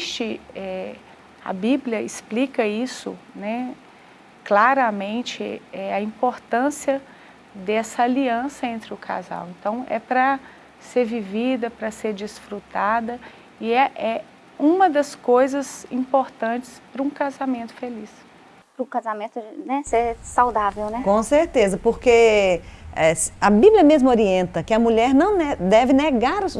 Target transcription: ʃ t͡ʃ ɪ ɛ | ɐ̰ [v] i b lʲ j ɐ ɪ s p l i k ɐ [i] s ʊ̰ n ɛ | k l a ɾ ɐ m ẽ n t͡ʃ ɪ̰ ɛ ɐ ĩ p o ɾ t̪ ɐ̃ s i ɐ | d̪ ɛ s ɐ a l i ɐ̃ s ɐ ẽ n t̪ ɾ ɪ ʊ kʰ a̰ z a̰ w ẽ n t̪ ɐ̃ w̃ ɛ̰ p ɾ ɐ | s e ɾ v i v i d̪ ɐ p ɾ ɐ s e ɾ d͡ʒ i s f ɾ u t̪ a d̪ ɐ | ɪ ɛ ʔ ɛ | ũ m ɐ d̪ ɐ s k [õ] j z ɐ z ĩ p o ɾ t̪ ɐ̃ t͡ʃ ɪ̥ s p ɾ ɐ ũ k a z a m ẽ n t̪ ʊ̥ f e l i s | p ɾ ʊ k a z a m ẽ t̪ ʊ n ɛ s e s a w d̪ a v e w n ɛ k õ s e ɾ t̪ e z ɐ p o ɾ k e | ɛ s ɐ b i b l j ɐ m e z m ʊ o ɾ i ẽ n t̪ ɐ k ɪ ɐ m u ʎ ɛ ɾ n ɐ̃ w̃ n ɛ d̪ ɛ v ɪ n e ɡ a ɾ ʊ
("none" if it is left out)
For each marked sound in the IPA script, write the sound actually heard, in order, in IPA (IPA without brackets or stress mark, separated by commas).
b, i, o